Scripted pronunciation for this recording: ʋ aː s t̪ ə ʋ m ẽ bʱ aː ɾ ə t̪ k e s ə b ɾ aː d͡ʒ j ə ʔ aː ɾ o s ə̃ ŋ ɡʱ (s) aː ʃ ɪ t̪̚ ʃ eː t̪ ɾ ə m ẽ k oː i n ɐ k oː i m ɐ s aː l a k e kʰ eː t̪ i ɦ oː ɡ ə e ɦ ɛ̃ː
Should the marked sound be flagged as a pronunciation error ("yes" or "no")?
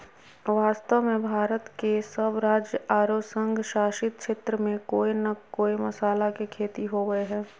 yes